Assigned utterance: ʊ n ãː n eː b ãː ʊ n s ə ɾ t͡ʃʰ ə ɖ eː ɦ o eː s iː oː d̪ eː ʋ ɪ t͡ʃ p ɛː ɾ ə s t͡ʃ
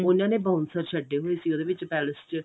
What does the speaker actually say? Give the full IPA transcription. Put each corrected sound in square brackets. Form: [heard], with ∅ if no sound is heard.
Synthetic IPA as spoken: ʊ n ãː n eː b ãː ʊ n s ə ɾ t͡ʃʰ ə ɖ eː ɦ o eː s iː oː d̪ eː ʋ ɪ t͡ʃ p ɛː [l] ə s t͡ʃ